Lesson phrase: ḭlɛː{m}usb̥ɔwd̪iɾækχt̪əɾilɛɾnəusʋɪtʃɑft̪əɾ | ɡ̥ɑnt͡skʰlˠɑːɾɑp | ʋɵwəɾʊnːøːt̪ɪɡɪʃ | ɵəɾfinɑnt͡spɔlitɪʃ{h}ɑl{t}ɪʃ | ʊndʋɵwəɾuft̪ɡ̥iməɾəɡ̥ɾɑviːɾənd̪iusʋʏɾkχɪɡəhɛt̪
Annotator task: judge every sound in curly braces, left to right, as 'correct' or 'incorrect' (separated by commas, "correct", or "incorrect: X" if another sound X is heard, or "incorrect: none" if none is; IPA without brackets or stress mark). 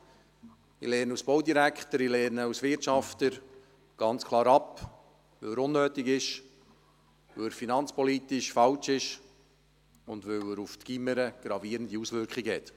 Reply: incorrect: n, incorrect: f, incorrect: t͡ʃ